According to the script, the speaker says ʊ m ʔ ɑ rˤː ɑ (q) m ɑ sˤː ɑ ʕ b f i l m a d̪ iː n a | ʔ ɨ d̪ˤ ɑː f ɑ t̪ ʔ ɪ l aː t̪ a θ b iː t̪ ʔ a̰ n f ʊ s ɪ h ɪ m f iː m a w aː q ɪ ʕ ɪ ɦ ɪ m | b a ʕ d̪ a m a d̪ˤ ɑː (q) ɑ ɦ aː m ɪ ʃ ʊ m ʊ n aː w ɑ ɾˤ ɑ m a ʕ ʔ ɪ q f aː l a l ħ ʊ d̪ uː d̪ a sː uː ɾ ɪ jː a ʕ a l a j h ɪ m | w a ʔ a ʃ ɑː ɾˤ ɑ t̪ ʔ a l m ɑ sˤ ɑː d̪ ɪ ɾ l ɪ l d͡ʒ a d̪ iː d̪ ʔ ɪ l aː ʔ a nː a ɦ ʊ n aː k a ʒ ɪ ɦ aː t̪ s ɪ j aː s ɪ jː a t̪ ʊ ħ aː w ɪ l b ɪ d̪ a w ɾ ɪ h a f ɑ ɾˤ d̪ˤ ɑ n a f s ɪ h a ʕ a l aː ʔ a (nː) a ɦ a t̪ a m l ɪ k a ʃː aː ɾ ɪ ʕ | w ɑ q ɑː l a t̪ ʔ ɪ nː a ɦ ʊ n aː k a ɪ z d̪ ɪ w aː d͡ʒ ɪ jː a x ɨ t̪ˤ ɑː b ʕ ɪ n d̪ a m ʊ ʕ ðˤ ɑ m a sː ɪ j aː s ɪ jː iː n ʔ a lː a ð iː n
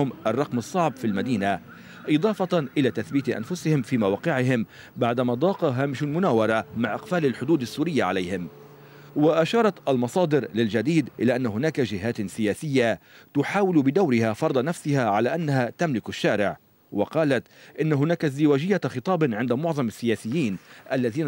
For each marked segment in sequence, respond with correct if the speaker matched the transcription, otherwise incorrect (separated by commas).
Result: correct, correct, correct